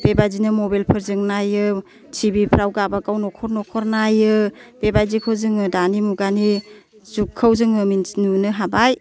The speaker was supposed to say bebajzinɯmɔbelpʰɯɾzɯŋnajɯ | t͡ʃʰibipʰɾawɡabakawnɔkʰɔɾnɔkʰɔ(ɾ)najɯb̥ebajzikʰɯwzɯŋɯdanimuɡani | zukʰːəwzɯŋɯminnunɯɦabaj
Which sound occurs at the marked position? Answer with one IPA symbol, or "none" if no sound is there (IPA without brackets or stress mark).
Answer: ɾ